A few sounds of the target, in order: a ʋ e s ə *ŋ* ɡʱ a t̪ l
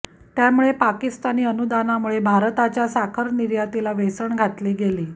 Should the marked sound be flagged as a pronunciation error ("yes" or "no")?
yes